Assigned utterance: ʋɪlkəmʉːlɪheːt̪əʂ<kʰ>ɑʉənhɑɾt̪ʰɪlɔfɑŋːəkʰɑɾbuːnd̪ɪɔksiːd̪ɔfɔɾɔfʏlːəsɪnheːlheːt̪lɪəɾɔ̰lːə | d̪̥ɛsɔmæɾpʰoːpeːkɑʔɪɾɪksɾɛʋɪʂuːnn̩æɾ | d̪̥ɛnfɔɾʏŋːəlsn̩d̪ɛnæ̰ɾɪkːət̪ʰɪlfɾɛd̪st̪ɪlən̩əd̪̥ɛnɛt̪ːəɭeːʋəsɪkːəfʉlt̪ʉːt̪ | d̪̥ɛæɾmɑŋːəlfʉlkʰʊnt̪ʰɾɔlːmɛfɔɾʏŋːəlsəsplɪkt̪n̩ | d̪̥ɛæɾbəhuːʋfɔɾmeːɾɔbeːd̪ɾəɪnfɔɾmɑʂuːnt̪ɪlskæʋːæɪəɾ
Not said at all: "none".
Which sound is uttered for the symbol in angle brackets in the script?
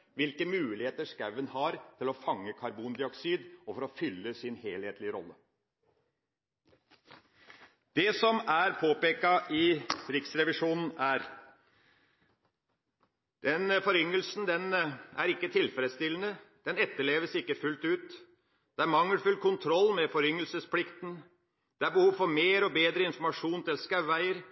k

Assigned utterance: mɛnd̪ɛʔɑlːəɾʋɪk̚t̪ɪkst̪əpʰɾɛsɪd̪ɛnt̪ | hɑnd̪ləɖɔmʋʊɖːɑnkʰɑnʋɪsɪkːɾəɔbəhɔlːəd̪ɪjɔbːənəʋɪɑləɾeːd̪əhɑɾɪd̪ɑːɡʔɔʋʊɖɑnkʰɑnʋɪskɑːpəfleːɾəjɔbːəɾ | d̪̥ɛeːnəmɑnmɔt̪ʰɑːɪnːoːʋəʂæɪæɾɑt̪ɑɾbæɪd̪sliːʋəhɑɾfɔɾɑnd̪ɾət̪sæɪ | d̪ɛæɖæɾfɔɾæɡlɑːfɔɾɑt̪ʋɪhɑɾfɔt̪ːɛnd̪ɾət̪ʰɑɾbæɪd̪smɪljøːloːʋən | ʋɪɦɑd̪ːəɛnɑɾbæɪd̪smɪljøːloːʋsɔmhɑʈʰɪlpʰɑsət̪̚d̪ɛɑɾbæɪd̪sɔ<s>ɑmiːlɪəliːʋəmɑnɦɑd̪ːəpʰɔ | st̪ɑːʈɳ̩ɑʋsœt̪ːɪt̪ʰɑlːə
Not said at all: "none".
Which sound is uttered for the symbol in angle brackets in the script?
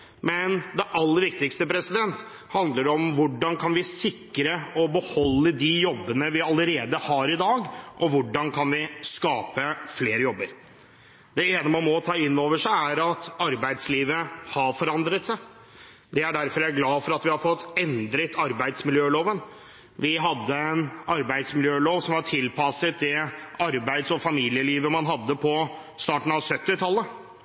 f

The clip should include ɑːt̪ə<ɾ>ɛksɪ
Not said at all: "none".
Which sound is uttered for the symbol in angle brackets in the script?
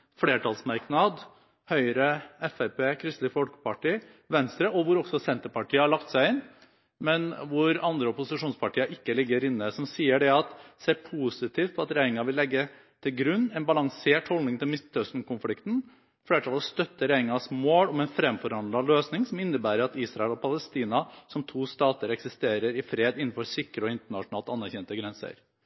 ɾ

